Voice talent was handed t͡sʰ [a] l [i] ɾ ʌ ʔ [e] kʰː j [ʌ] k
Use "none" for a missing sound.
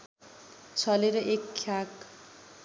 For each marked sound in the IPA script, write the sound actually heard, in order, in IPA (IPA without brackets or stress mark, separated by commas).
ʌ, e, e, a